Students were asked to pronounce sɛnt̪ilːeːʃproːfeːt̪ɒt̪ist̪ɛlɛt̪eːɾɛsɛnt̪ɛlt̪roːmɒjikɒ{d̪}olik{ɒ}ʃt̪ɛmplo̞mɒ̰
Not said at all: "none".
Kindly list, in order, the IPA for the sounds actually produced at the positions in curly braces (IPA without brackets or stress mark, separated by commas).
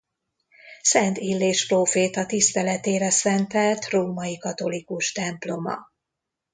t̪, u